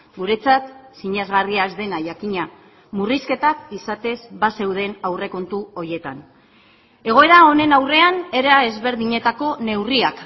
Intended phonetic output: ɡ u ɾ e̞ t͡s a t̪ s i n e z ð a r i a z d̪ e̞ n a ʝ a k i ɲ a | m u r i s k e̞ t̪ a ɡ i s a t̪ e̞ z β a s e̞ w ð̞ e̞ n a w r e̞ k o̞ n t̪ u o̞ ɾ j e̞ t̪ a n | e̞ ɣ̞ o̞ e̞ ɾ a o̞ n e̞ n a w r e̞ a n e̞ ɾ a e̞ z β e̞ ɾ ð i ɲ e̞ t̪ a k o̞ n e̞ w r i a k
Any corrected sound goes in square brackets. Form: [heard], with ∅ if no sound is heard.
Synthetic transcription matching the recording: ɡ u ɾ e̞ t͡s a t̪ s i [ɲ] e z [ɣ] a r i a z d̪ e̞ n a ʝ a k i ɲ a | m u r i s k e̞ t̪ a [k] i s a t̪ e̞ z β a s e̞ w ð̞ e̞ n a w r e̞ k o̞ n t̪ u o̞ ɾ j e̞ t̪ a n | e̞ ɣ̞ o̞ e̞ ɾ a o̞ n e̞ n a w r e̞ a n e̞ ɾ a e̞ z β e̞ ɾ ð i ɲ e̞ t̪ a k o̞ n e̞ w r i a k

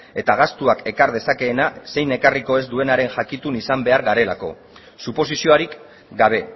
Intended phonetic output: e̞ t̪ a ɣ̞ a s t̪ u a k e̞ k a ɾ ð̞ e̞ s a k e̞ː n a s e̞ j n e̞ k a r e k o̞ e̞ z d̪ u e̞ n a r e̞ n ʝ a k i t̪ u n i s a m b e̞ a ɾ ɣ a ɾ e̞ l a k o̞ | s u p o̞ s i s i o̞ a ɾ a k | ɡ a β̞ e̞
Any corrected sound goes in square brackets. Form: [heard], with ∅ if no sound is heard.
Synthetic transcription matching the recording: e̞ t̪ a ɣ̞ a s t̪ u a k e̞ k a ɾ ð̞ e̞ s a k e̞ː n a s e̞ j n e̞ k a r [i] k o̞ e̞ z d̪ u e̞ n a [ɾ] e̞ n ʝ a k i t̪ u n i s a m b e̞ a ɾ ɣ a ɾ e̞ l a k o̞ | s u p o̞ s i s i o̞ a ɾ [i] k | ɡ a β̞ e̞

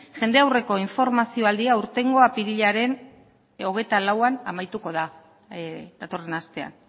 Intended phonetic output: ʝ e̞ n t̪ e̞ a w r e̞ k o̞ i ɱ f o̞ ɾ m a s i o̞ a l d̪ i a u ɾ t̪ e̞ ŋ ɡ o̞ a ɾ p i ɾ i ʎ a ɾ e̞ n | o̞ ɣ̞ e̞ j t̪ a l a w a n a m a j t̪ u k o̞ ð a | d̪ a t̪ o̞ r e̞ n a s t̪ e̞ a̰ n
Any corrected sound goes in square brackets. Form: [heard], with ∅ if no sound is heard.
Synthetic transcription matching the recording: ʝ e̞ n [d̪] e̞ a w r e̞ k o̞ i ɱ f o̞ ɾ m a s i o̞ a l d̪ i a u ɾ t̪ e̞ ŋ ɡ o̞ a [∅] p i ɾ i ʎ a ɾ e̞ n | o̞ ɣ̞ e̞ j t̪ a l a w a n a m a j t̪ u k o̞ ð a | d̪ a t̪ o̞ r e̞ n a s t̪ e̞ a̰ n

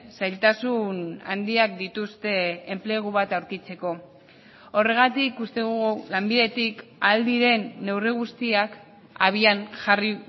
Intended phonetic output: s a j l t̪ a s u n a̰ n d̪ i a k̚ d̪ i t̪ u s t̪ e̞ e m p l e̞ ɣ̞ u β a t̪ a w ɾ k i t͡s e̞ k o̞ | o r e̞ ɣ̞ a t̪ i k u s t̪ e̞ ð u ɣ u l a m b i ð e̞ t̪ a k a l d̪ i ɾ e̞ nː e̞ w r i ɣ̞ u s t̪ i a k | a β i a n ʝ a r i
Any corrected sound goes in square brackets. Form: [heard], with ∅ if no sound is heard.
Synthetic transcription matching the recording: s a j l t̪ a s u n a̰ n d̪ i a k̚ d̪ i t̪ u s t̪ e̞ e m p l e̞ ɣ̞ u β a t̪ a w ɾ k i t͡s e̞ k o̞ | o r e̞ ɣ̞ a t̪ i k u s t̪ e̞ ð u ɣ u l a m b i ð e̞ t̪ [i] k a l d̪ i ɾ e̞ nː e̞ w r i ɣ̞ u s t̪ i a k | a β i a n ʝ a r i

